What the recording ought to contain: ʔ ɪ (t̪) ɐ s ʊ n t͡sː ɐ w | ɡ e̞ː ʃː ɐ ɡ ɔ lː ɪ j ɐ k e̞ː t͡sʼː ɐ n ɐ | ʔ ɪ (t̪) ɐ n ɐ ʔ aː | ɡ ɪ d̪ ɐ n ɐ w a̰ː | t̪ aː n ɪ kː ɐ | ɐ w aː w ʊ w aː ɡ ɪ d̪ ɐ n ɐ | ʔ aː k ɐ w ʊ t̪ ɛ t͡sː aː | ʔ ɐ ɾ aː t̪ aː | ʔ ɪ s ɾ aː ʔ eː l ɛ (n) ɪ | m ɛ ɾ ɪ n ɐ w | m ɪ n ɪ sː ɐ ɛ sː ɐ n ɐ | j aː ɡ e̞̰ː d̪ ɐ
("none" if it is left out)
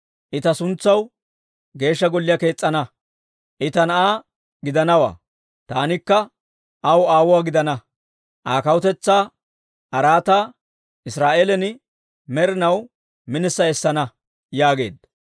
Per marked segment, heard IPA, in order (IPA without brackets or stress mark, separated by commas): t̪, t̪, n